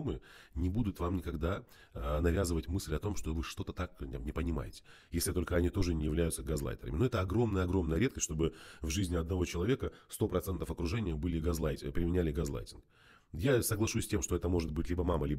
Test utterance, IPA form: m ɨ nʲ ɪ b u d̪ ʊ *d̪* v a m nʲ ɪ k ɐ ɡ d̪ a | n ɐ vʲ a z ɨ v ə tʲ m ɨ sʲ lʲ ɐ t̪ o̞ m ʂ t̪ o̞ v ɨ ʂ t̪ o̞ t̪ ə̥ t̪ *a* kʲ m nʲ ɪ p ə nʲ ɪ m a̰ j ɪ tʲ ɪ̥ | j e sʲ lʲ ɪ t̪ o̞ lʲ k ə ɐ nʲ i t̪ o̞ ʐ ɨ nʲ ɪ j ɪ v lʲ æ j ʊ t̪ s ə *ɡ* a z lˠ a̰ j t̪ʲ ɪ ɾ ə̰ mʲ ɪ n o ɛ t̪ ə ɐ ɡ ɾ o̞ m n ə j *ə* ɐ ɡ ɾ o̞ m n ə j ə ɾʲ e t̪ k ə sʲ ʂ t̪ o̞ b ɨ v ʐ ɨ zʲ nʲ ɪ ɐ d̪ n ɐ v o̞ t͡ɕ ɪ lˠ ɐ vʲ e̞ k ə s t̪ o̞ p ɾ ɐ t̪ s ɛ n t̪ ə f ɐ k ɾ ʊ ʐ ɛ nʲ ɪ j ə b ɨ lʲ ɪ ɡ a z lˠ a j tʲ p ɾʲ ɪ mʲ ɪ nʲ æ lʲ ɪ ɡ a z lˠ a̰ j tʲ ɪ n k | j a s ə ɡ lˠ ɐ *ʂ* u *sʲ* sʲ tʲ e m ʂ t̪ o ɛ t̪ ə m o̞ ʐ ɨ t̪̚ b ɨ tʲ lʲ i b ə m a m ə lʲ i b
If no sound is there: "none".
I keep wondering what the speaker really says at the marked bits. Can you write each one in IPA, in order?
t̪, a, ɡ, ə, ʂ, sʲ

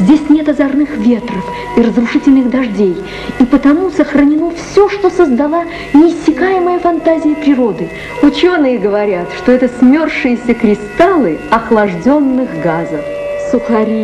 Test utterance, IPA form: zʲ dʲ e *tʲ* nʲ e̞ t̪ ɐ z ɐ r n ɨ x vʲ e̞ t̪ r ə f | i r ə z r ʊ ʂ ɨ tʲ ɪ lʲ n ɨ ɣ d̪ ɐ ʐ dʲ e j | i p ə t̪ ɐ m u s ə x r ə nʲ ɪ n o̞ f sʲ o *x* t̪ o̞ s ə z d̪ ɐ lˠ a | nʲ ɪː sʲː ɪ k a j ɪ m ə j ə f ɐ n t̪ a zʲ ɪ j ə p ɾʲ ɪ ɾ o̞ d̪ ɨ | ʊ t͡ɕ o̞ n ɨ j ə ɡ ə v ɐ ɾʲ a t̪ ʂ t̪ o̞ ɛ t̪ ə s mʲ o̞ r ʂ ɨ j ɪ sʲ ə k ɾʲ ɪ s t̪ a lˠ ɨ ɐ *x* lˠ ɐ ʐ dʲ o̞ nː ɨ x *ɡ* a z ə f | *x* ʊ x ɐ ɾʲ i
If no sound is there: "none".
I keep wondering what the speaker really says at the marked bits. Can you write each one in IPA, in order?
sʲ, ʂ, x, ɡ, s

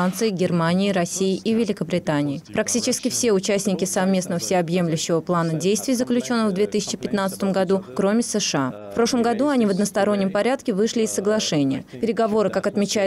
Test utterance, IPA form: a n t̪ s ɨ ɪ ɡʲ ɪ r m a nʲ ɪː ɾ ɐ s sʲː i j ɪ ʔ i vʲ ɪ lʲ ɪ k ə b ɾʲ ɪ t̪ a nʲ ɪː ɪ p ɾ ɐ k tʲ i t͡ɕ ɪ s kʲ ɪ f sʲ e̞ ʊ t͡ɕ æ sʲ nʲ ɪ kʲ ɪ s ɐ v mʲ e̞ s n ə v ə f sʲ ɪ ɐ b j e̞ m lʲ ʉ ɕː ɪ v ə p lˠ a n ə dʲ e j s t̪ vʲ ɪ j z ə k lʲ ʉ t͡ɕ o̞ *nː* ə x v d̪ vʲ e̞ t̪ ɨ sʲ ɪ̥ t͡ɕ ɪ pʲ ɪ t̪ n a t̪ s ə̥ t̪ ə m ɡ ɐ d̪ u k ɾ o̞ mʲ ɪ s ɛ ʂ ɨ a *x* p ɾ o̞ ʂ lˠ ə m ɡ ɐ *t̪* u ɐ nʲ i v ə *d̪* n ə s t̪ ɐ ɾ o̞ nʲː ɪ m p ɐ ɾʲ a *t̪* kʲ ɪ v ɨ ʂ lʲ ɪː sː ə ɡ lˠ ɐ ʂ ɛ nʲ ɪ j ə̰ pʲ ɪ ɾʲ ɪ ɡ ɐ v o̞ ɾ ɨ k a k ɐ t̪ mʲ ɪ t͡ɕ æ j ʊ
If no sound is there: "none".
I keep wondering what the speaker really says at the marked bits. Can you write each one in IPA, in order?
nː, f, d̪, d̪, t̪

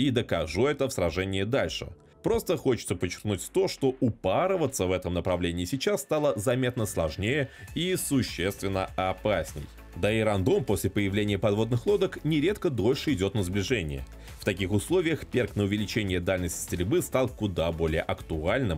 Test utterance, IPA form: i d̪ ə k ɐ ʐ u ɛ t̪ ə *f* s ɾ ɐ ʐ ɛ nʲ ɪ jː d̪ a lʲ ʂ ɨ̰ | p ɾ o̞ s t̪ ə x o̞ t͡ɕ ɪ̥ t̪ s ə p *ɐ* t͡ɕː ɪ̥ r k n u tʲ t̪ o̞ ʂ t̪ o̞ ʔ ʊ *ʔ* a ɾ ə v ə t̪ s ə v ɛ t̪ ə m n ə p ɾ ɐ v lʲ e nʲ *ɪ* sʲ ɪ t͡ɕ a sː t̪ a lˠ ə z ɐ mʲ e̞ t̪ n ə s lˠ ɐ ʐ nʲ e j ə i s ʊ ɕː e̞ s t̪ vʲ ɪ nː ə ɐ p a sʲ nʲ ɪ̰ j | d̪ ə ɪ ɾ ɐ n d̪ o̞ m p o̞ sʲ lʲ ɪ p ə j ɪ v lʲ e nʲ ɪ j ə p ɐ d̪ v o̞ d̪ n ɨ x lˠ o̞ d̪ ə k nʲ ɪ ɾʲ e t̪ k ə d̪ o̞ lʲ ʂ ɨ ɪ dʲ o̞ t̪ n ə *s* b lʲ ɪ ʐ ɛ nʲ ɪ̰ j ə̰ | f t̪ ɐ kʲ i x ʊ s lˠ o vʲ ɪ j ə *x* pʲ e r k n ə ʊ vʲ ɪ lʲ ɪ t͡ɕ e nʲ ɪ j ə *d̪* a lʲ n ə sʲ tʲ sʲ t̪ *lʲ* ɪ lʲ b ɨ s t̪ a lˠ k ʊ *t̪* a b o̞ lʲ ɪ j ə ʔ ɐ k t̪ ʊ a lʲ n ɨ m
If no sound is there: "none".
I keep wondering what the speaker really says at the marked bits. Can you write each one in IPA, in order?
f, ə, p, ɪː, z, x, d̪, ɾʲ, d̪

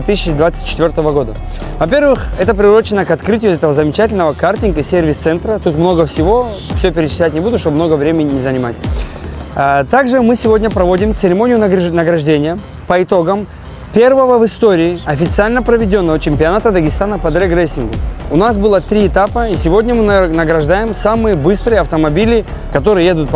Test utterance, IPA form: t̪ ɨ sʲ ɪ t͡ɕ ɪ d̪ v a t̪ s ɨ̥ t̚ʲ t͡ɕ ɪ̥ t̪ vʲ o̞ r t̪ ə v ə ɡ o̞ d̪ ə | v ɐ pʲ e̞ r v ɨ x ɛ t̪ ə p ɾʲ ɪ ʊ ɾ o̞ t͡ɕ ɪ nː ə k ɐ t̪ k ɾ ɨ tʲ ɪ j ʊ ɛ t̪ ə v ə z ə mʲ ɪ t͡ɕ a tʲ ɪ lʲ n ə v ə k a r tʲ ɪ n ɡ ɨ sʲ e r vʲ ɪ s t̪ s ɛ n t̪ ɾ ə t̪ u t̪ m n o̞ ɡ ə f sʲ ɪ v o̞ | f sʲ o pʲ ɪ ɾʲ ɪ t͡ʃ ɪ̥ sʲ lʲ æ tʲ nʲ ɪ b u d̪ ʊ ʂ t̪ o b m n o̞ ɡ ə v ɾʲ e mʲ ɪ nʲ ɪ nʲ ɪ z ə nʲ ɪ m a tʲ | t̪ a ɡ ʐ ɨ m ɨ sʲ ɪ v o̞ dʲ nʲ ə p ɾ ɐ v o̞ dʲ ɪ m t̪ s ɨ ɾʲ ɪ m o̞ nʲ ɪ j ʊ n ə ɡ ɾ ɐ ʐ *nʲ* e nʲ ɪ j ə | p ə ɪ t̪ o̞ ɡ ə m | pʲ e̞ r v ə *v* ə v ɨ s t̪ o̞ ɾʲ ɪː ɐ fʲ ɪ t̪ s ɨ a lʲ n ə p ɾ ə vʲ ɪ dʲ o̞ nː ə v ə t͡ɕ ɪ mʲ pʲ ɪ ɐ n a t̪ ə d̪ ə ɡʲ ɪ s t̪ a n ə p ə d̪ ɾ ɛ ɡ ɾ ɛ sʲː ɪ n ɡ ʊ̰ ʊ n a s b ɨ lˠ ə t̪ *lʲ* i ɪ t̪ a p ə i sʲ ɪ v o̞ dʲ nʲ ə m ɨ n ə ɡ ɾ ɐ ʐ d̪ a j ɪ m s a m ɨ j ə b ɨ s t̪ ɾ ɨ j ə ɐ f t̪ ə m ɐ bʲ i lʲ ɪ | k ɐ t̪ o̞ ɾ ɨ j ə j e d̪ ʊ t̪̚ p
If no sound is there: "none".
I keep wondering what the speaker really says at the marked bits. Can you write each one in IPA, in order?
dʲ, v, ɾʲ

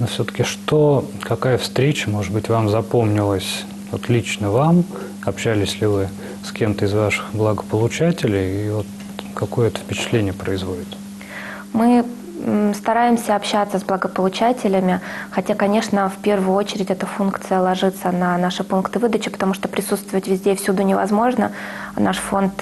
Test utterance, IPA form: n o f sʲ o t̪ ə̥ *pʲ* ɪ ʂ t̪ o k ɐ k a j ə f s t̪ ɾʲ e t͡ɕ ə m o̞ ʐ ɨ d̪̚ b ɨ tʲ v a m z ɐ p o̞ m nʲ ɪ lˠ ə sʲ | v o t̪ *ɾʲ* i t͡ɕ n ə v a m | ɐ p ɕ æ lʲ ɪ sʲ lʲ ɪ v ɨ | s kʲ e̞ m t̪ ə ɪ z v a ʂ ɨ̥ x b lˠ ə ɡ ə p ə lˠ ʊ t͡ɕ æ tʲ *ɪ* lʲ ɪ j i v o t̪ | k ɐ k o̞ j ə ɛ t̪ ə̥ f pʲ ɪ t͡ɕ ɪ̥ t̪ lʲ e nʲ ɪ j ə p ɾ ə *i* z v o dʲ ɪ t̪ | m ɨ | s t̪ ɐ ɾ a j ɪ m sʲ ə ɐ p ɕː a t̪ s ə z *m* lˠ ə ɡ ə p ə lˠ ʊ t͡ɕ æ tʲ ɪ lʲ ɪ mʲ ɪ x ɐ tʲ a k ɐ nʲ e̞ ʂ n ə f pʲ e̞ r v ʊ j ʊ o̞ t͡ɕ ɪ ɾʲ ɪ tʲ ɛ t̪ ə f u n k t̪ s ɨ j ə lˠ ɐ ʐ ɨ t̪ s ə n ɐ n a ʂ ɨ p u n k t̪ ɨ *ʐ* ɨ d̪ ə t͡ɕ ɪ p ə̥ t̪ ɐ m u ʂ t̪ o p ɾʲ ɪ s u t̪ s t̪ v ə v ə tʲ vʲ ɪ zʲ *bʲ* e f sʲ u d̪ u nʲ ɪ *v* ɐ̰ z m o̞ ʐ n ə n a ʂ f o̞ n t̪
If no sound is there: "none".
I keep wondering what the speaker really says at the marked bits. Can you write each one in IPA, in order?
kʲ, lʲ, ɪ, ɪ, b, v, dʲ, v

